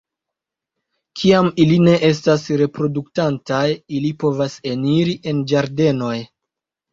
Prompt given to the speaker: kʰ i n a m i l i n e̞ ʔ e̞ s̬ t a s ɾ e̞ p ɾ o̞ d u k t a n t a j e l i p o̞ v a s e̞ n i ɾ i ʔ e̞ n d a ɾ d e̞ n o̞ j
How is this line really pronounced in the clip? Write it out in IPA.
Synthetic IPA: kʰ i a m i l i n e̞ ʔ e̞ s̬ t a s ɾ e̞ p ɾ o̞ d u k t a n t a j i l i p o̞ v a s e̞ n i ɾ i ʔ e̞ n d͡ʒ a ɾ d e̞ n o̞ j